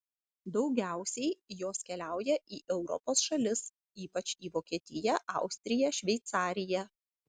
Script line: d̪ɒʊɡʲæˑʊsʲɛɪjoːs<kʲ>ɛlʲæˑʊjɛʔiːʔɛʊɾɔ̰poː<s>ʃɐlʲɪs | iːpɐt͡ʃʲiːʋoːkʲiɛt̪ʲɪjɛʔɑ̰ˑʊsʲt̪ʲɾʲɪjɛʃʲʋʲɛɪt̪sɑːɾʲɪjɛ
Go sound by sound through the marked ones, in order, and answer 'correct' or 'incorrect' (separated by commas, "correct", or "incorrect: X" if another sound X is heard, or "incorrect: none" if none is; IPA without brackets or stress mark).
correct, correct